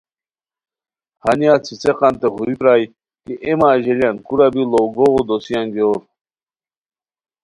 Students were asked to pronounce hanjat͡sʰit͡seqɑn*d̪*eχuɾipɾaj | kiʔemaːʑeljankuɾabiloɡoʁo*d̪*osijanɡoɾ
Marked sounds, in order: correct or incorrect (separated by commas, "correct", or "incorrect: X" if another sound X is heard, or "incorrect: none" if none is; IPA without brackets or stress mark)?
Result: incorrect: t̪, correct